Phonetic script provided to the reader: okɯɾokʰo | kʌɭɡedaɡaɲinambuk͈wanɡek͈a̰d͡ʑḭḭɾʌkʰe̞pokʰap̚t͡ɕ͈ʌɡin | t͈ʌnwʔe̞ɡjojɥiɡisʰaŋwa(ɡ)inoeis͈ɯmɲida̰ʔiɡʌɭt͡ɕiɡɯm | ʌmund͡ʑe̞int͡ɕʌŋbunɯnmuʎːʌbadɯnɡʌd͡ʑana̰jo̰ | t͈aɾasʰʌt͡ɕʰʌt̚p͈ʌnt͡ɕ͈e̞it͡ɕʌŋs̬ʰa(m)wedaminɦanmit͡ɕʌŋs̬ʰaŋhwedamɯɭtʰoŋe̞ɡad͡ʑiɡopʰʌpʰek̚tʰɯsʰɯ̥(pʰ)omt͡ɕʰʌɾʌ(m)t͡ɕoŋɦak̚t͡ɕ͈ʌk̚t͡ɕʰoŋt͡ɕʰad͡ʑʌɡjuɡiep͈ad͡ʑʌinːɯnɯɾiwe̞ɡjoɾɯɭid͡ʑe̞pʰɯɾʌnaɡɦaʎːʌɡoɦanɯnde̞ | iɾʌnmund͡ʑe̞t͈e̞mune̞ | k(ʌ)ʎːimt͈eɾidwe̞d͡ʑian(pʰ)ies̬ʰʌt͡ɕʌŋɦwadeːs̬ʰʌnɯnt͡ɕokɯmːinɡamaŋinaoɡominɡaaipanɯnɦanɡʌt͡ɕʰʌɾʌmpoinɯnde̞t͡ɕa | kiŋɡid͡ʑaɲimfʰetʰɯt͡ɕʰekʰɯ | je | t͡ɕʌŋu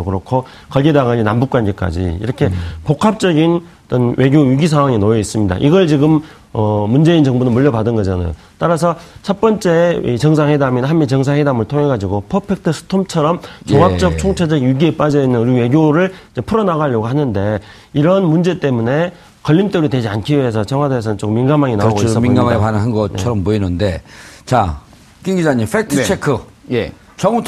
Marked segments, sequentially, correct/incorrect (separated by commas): incorrect, incorrect, incorrect, correct, correct, incorrect